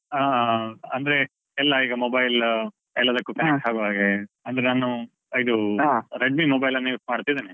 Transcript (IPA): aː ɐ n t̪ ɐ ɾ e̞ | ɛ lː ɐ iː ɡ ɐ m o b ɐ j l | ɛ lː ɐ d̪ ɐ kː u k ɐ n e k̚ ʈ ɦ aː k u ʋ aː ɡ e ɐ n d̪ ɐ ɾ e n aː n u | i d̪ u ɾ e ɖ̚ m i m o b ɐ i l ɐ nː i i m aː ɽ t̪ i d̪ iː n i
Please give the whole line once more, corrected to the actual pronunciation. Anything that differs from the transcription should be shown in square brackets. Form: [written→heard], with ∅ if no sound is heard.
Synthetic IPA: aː ɐ n [t̪→d̪] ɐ ɾ e̞ | ɛ lː ɐ iː ɡ ɐ m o b ɐ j l | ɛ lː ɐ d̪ ɐ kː u k ɐ n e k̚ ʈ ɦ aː [k→ɡ] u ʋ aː ɡ e ɐ n d̪ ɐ ɾ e n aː n u | i d̪ u ɾ e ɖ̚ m i m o b ɐ [i→j] l ɐ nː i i m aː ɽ t̪ i d̪ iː n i